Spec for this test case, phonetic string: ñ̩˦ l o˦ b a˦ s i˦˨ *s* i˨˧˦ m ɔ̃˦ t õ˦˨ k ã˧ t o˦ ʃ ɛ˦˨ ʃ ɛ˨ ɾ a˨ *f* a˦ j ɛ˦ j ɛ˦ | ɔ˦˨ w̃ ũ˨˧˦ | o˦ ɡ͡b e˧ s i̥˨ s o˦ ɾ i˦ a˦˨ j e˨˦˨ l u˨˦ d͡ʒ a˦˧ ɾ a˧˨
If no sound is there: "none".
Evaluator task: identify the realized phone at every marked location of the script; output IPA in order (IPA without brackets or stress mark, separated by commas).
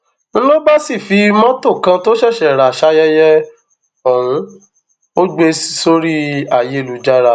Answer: f, ʃ